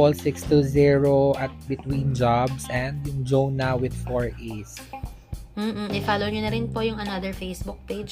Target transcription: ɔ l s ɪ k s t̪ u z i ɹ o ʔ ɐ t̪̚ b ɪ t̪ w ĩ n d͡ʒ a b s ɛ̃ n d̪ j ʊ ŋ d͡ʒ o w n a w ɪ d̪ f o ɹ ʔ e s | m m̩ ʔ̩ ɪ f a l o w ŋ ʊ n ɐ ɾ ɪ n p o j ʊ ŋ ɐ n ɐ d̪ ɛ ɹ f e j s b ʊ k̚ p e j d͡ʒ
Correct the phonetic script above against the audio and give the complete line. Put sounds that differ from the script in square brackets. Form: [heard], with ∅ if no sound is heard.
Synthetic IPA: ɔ l s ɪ k s t̪ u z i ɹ o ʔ ɐ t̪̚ b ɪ t̪ w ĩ n d͡ʒ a b s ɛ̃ n d̪ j ʊ ŋ d͡ʒ o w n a w ɪ d̪ f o ɹ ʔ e s | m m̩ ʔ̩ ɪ f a l o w [ɲ] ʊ n ɐ ɾ ɪ n p o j ʊ ŋ ɐ n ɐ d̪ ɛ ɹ f e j s b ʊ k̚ p e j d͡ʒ